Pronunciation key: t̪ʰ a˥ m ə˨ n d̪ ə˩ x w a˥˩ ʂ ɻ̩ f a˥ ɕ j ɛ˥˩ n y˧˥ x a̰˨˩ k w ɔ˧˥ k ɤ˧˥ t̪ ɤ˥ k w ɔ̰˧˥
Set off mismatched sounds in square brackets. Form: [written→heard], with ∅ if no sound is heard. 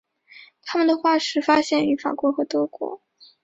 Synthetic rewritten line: t̪ʰ a˥ m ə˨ n d̪ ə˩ x w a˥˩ ʂ ɻ̩ f a˥ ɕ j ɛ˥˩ n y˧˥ [x→f] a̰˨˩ k w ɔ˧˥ [k→x] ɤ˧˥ t̪ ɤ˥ k w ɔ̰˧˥